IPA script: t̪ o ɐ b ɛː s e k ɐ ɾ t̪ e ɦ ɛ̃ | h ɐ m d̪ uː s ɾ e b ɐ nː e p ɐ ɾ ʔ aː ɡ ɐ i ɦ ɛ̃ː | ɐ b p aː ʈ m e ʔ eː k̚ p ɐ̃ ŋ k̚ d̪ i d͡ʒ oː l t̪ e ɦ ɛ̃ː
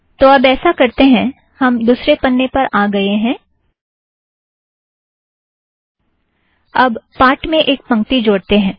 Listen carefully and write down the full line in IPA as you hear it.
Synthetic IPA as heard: t̪ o ɐ b ɛː s a k ɐ ɾ t̪ e ɦ ɛ̃ | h ɐ m d̪ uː s ɾ e p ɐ nː e p ɐ ɾ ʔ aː ɡ ɐ e ɦ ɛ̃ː | ɐ b p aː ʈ m ẽ ʔ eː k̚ p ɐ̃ ŋ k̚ t̪ i d͡ʒ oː ɽ t̪ e ɦ ɛ̃ː